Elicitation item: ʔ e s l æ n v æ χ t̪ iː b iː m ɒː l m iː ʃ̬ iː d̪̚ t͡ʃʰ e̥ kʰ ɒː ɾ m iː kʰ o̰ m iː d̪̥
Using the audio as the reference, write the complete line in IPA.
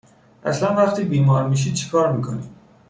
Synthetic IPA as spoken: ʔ æ s l æ n v æ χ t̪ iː b iː m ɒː ɾ m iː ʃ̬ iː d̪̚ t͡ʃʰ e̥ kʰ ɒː ɾ m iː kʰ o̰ n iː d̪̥